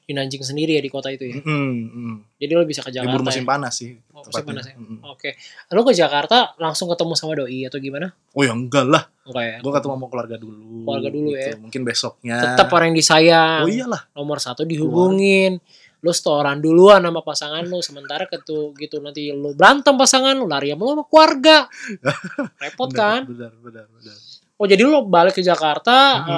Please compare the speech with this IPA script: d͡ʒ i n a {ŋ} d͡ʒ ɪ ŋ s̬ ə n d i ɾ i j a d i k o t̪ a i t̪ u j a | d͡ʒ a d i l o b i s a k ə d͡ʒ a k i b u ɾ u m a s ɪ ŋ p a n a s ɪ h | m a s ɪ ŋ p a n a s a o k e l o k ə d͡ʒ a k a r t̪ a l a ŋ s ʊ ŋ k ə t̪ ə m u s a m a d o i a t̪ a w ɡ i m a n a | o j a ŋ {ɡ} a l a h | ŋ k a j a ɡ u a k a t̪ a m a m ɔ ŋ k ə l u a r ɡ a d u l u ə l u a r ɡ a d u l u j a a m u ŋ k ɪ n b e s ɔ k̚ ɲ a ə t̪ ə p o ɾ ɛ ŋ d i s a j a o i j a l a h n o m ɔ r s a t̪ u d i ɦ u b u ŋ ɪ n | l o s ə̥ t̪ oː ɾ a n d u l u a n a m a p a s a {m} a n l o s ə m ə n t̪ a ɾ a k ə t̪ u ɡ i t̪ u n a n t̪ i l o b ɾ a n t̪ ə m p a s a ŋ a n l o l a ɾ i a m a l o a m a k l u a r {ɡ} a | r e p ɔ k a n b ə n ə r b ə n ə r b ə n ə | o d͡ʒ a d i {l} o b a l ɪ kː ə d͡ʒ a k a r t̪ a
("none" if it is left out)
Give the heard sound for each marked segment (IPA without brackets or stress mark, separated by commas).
ɲ, ɡ, ŋ, ɡ, l